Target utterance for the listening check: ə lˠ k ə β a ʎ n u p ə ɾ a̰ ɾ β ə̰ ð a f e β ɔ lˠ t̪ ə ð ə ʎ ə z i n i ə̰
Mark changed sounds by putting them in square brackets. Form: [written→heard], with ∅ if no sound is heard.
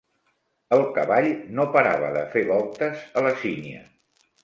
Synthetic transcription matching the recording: ə lˠ k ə β a ʎ n [u→o] p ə ɾ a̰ [ɾ→∅] β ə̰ ð [a→ə] f e β ɔ lˠ t̪ ə [ð→z] ə [ʎ→l] ə [z→s] i n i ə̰